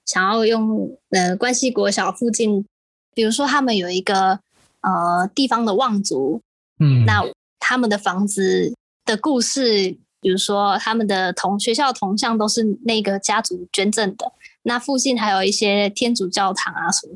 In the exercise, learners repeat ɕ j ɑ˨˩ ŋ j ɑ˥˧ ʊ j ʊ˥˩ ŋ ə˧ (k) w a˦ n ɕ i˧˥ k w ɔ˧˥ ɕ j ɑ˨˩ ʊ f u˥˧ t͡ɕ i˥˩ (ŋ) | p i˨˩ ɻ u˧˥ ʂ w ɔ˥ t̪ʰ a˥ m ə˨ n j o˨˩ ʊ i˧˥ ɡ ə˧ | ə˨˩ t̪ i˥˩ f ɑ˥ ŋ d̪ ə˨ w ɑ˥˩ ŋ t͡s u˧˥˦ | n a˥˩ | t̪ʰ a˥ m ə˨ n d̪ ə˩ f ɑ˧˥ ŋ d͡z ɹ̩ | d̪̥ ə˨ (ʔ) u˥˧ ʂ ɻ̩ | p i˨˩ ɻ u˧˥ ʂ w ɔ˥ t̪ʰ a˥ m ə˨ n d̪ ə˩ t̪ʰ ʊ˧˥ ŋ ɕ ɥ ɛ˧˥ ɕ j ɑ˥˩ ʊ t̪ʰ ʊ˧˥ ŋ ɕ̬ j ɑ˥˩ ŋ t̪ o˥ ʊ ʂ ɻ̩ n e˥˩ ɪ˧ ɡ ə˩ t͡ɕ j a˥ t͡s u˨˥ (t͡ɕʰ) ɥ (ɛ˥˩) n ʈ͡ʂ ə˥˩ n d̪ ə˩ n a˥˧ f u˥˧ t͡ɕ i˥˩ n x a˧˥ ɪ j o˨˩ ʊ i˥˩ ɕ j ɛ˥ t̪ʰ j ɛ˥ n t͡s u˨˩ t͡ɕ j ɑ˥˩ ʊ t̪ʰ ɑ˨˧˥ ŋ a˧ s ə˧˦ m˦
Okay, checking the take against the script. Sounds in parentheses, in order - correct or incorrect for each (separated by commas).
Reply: correct, incorrect, incorrect, incorrect, incorrect